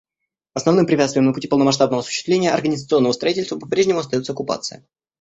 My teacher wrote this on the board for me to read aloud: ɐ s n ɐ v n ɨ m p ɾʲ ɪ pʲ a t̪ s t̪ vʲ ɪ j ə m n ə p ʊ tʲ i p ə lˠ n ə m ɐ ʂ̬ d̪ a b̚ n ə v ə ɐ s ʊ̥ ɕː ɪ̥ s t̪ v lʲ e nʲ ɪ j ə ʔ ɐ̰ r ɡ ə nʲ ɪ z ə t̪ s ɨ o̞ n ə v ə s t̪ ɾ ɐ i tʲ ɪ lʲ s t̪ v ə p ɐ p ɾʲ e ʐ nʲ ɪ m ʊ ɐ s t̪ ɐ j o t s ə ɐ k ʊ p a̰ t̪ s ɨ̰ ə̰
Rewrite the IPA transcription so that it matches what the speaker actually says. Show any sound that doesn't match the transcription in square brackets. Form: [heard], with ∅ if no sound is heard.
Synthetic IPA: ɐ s n ɐ v n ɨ m p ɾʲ ɪ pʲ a t̪ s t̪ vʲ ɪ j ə m n ə p ʊ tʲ i p ə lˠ n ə m ɐ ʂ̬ [t̪] a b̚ n ə v ə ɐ s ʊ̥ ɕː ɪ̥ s t̪ v lʲ e nʲ ɪ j ə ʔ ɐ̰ r ɡ ə nʲ ɪ z ə t̪ s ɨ o̞ [nː] ə v ə s t̪ ɾ ɐ i tʲ ɪ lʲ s t̪ v ə p ɐ p ɾʲ e ʐ nʲ ɪ m ʊ ɐ s t̪ ɐ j o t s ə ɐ k ʊ p a̰ t̪ s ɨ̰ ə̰